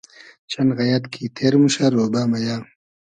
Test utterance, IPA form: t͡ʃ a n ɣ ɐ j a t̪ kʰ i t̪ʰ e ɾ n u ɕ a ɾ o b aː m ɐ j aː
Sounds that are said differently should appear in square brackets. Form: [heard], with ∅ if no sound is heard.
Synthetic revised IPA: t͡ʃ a n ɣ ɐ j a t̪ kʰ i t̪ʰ e ɾ [m] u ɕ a ɾ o b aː m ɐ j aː